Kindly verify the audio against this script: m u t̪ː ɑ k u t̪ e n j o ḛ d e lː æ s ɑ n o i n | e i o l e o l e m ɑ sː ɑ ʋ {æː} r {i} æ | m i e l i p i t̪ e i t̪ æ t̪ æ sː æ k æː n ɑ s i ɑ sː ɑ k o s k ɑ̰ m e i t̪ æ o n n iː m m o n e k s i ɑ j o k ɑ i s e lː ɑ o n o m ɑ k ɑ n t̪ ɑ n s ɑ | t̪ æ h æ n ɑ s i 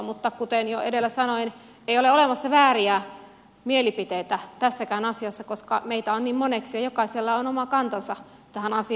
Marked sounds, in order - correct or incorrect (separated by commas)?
correct, correct